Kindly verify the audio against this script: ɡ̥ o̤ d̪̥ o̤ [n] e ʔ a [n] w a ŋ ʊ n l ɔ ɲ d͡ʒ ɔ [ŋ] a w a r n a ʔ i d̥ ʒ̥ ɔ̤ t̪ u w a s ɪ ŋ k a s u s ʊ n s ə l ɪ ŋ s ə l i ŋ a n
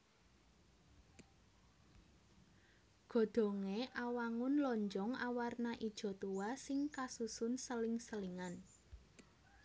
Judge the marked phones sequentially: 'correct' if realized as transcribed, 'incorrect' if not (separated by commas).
incorrect, incorrect, correct